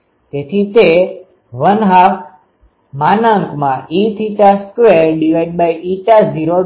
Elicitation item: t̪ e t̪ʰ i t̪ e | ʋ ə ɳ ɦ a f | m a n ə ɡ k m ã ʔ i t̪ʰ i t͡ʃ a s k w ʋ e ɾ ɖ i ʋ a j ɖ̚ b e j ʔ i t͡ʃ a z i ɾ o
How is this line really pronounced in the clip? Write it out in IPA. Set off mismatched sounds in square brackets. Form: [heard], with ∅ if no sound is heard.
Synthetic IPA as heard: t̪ e t̪ʰ i t̪ e | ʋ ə [n] ɦ a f | m a n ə [ŋ] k m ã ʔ i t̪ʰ i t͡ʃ a s k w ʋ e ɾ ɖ i ʋ a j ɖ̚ b [a] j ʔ i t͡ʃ a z i ɾ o

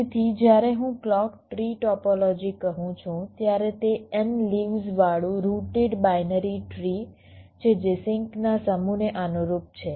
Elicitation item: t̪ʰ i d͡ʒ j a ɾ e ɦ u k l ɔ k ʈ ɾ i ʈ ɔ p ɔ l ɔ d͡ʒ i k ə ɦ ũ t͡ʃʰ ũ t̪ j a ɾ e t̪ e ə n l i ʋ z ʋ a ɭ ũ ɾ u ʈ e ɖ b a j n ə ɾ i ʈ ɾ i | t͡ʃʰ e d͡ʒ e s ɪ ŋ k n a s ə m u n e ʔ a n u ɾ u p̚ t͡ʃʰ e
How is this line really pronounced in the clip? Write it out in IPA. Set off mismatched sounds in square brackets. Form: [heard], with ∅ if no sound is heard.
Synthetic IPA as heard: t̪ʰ i d͡ʒ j a ɾ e ɦ [ũ] k l ɔ k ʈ ɾ i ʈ ɔ p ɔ l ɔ d͡ʒ i k ə ɦ ũ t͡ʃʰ ũ t̪ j a ɾ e t̪ e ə n l i ʋ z ʋ a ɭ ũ ɾ u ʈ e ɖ b a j n ə ɾ i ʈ ɾ i | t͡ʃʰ e d͡ʒ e s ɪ ŋ k n a s ə m u n e ʔ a n u ɾ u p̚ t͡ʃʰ e

